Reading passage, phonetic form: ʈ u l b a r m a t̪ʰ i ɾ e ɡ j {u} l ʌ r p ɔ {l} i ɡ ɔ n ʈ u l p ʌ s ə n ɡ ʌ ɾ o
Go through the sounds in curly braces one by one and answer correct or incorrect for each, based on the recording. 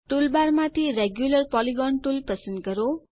correct, correct

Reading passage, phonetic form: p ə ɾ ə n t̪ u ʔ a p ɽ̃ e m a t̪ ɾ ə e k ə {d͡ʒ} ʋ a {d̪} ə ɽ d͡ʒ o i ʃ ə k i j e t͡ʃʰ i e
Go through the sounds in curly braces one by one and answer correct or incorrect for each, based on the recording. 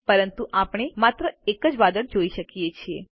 correct, correct

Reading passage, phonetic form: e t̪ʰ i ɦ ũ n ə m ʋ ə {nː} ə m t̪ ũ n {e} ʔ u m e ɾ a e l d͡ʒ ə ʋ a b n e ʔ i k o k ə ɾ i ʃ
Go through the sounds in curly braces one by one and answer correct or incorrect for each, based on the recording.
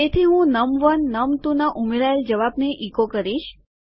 correct, incorrect

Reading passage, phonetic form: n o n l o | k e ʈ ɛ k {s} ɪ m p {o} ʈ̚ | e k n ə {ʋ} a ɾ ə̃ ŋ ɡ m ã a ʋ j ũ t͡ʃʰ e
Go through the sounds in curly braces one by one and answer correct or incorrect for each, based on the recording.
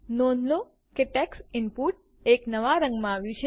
correct, incorrect, correct

